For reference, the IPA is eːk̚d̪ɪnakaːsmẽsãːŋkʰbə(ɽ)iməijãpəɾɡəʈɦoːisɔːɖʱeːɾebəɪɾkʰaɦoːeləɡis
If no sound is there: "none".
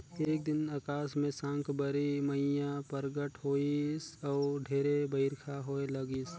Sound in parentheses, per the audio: ɾ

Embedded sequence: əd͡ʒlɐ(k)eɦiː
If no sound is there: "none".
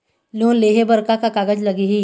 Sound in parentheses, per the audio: ɡ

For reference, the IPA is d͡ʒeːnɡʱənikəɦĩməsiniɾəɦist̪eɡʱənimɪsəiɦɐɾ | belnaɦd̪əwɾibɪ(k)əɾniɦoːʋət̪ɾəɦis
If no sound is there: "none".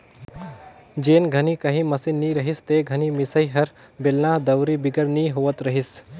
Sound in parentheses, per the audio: ɡ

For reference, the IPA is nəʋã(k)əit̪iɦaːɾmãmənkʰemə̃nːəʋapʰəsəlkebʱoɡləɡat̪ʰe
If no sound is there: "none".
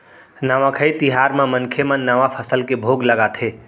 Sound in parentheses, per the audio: kʰ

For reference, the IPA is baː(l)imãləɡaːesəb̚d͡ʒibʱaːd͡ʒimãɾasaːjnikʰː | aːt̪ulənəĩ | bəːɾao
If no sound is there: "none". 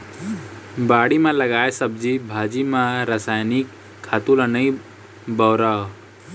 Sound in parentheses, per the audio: ɽ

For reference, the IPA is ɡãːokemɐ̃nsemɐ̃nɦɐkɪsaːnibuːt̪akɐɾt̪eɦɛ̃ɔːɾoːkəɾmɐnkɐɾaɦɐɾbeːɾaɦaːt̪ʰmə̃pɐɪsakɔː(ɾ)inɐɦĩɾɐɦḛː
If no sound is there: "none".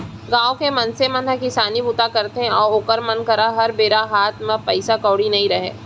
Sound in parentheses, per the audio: ɽ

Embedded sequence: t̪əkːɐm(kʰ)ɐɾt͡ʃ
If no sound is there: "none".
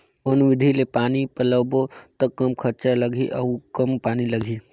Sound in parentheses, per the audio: kʰ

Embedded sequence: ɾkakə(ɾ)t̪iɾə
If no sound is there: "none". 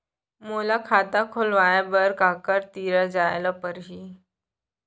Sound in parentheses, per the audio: ɾ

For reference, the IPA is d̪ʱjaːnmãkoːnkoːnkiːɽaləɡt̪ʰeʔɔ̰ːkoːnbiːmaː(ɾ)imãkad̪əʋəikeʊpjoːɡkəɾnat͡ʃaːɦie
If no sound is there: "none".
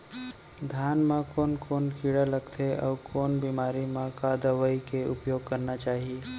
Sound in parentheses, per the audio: ɾ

